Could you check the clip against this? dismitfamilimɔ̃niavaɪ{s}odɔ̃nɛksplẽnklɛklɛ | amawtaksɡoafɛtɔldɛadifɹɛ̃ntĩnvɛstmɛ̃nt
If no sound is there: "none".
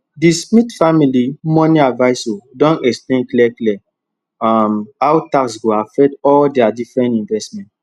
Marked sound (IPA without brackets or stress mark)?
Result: s